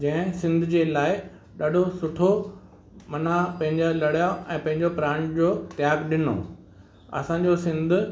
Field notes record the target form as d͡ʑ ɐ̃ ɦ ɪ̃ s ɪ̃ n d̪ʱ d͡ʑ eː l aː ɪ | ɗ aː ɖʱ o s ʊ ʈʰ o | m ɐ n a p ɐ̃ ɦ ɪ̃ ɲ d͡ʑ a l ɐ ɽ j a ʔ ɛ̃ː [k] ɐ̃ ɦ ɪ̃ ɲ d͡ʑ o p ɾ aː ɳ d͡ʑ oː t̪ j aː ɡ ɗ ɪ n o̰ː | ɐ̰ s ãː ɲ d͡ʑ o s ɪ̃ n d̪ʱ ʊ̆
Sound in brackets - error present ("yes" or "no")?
yes